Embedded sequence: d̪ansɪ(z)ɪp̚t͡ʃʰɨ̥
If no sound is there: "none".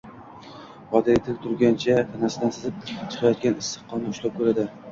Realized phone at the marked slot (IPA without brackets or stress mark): z